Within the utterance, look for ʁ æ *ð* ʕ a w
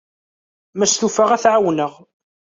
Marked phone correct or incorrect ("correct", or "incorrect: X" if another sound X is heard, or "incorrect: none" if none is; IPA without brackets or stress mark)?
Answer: incorrect: θ